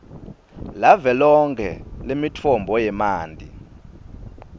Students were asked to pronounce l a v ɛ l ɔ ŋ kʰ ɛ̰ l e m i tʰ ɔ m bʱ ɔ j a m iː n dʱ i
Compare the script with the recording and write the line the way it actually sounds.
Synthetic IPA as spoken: l a v ɛ l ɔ ŋ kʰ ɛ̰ l e m i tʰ ɔ m bʱ ɔ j ɛ m aː n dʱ i